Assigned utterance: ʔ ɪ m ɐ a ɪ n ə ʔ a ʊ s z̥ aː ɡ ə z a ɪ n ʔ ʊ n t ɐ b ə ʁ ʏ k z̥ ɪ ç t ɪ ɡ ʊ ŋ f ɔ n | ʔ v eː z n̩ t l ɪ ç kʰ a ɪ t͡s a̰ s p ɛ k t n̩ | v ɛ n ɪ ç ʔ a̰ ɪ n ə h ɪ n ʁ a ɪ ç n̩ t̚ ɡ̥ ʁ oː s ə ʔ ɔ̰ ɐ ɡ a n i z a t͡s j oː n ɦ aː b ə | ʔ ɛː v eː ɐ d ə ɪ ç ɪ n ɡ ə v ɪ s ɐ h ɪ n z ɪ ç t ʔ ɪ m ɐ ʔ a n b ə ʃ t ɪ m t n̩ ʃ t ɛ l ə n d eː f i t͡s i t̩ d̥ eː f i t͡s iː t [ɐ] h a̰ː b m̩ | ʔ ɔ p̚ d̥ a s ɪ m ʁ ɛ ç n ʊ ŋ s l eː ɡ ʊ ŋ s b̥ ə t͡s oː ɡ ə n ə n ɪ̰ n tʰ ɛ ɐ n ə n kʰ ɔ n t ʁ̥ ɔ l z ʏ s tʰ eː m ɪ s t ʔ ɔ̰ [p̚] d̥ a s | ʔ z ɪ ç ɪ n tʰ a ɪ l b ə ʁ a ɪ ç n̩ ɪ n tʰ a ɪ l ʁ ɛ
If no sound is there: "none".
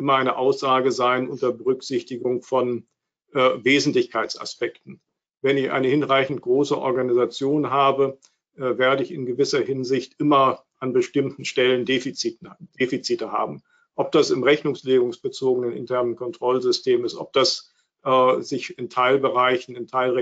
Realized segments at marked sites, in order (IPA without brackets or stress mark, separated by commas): ə, p̚